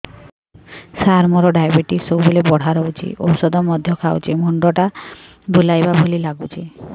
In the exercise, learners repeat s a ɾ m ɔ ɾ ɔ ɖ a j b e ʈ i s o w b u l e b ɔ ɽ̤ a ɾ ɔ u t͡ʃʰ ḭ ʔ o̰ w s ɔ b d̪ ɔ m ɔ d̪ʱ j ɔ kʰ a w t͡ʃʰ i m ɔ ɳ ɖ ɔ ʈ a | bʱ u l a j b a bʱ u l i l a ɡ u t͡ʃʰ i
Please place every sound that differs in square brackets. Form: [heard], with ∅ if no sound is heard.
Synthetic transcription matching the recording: s a ɾ m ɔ ɾ ɔ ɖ a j b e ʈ i s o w b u l e b ɔ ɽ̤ a ɾ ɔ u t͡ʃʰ ḭ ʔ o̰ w s ɔ [∅] d̪ ɔ m ɔ d̪ʱ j ɔ kʰ a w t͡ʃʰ i m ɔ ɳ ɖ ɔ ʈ a | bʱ u l a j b a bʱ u l i l a ɡ u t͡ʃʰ i